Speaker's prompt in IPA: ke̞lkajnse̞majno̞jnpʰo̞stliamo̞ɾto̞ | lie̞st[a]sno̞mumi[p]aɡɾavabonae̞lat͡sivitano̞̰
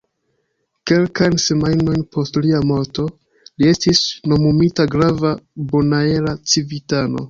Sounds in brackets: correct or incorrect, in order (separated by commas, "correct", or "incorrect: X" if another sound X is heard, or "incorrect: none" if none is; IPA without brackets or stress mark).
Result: incorrect: i, incorrect: t